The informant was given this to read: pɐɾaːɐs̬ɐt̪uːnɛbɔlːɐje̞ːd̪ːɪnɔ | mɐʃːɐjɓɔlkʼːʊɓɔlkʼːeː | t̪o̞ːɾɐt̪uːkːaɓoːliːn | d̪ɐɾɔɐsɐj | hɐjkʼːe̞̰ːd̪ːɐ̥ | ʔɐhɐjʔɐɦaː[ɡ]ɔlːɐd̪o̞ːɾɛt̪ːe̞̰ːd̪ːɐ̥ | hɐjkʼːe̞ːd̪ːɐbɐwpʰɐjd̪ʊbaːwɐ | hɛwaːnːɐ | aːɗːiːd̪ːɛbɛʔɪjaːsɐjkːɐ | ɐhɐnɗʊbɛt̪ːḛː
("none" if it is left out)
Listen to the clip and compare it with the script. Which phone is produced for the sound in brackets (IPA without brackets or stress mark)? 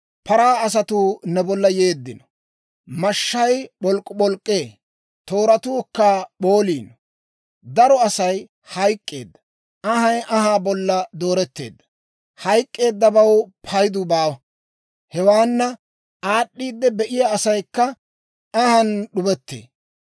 b